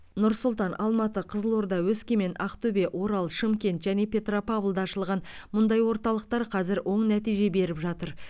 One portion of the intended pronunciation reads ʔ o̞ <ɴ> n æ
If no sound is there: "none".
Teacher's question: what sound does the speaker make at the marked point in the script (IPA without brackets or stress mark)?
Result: ɴ